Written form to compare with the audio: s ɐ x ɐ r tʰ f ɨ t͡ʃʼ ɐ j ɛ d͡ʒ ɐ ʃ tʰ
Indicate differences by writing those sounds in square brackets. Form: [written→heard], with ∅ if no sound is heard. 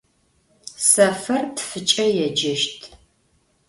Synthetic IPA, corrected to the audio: s ɐ [x→f] ɐ r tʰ f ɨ t͡ʃʼ ɐ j ɛ d͡ʒ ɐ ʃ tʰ